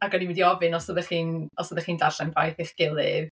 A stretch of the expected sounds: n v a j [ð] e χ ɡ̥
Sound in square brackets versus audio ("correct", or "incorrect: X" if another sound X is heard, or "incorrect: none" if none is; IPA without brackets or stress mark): incorrect: θ